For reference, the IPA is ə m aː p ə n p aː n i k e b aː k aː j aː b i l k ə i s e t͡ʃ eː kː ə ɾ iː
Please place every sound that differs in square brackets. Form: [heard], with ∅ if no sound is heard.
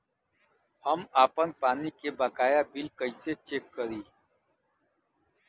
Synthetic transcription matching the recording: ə m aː p ə n p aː n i k e b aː k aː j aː b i l k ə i s e t͡ʃ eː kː ə ɾ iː